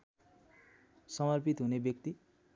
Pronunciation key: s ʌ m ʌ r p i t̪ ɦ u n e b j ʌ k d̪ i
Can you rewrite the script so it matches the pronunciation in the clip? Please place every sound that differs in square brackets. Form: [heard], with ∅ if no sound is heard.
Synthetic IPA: s ʌ m ʌ r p i t̪ ɦ u n e b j ʌ k [t̪] i